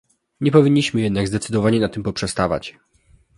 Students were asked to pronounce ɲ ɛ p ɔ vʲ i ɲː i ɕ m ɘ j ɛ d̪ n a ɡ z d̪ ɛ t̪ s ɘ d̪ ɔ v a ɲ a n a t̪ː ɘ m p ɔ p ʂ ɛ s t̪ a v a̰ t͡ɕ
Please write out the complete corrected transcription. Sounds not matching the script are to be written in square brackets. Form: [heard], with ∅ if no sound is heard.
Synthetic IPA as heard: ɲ ɛ p ɔ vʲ i ɲː i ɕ m ɘ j ɛ d̪ n a ɡ z d̪ ɛ t̪ s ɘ d̪ ɔ v a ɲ [ɛ] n a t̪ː ɘ m p ɔ p ʂ ɛ s t̪ a v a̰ t͡ɕ